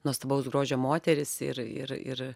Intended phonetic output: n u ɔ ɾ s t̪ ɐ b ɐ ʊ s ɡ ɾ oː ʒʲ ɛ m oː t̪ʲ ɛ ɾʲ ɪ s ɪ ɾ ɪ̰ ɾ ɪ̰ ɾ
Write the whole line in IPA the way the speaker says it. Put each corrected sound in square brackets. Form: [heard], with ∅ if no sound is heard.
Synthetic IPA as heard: n u ɔ [∅] s t̪ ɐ b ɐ ʊ s ɡ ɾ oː ʒʲ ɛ m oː t̪ʲ ɛ ɾʲ ɪ s ɪ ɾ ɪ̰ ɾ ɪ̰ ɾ

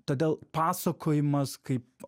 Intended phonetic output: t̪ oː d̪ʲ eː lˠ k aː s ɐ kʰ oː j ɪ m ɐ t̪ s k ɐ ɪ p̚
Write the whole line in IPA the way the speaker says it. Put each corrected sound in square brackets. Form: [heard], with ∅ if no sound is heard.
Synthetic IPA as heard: t̪ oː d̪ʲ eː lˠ [p] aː s ɐ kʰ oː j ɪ m ɐ [∅] s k ɐ ɪ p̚

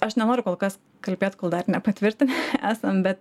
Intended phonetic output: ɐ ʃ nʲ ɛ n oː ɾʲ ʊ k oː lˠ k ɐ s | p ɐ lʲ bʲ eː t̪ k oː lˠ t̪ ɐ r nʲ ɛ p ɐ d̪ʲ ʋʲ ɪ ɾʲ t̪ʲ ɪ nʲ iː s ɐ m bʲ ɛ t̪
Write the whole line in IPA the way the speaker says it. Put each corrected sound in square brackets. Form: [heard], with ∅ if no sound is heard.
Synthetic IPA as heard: ɐ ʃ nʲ ɛ n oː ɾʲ ʊ k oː lˠ k ɐ s | [k] ɐ lʲ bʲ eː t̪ k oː lˠ [d̪] ɐ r nʲ ɛ p ɐ [t̪ʲ] ʋʲ ɪ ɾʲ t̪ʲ ɪ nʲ [æː] s ɐ m bʲ ɛ t̪

